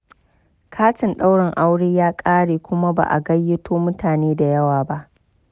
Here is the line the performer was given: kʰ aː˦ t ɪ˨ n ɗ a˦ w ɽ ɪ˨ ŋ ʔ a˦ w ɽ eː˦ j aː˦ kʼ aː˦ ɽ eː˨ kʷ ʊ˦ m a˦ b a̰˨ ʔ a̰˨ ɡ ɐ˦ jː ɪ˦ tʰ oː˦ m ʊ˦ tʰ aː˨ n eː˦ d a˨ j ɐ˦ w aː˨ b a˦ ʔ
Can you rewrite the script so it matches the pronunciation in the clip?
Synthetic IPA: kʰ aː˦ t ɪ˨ n ɗ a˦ w ɽ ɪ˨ ŋ ʔ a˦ w ɽ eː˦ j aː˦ kʼ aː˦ ɽ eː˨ kʷ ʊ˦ m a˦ b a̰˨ ʔ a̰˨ ɡ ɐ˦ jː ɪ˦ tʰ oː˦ m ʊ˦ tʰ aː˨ n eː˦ d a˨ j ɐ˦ w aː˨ b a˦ ʔ